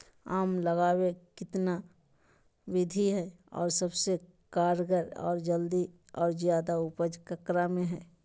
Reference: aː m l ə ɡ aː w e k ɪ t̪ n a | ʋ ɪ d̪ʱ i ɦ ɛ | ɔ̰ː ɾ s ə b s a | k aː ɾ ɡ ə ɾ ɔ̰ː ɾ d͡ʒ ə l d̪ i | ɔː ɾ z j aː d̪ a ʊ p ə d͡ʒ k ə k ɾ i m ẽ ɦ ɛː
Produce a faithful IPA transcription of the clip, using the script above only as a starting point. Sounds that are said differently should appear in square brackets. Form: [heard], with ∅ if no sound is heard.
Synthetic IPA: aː m l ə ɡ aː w e k ɪ t̪ n a | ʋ ɪ d̪ʱ i ɦ ɛ | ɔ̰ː ɾ s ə b s [e] | k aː ɾ ɡ ə ɾ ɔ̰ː ɾ d͡ʒ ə l d̪ i | ɔː ɾ z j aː d̪ a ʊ p ə d͡ʒ k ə k ɾ [a] m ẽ ɦ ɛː